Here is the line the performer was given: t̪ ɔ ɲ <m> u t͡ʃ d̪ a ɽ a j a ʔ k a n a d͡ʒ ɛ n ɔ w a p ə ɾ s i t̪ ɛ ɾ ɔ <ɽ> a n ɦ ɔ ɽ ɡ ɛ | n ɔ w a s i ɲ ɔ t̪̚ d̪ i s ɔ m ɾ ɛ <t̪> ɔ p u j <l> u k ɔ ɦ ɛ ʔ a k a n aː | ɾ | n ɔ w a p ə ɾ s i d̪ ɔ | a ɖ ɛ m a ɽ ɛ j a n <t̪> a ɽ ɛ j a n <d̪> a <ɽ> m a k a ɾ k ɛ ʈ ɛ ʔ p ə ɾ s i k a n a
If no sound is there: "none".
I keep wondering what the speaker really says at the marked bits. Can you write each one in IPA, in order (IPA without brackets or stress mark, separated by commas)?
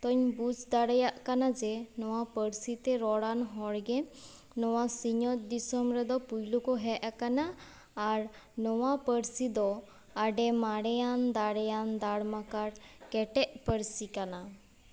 b, ɽ, d̪, l, d̪, d̪, ɽ